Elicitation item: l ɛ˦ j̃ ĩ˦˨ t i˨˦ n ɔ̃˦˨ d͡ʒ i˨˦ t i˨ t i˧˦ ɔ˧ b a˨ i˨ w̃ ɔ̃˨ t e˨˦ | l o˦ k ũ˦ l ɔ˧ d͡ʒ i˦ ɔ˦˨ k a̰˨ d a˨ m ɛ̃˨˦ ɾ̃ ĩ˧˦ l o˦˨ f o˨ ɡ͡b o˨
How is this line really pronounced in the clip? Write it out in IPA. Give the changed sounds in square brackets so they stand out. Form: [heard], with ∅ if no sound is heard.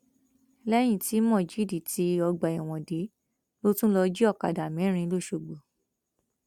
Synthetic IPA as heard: l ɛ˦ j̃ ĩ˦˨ t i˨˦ [m] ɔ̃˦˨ d͡ʒ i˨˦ [d] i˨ t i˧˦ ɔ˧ [ɡ͡b] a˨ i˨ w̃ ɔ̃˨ [d] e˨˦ | l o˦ [t] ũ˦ l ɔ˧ d͡ʒ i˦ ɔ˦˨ k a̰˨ d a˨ m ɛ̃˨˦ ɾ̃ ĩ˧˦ l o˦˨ [ʃ] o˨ ɡ͡b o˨